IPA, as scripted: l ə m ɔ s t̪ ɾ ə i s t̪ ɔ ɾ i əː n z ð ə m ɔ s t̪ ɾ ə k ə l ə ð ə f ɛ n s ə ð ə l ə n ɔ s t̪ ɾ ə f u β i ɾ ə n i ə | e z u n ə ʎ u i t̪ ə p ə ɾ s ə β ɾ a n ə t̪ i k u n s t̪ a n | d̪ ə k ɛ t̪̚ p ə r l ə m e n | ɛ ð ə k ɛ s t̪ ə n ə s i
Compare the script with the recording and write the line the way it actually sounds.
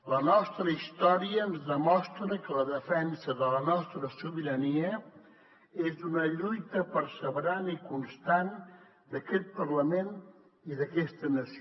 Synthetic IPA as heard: l ə n ɔ s t̪ ɾ ə i s t̪ ɔ ɾ i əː n z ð ə m ɔ s t̪ ɾ ə k ə l ə ð ə f ɛ n s ə ð ə l ə n ɔ s t̪ ɾ ə s u β i ɾ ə n i ə | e z u n ə ʎ u j t̪ ə p ə ɾ s ə β ɾ a n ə i k u n s t̪ a n | d̪ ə k ɛ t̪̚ p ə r l ə m e n | i ð ə k ɛ s t̪ ə n ə s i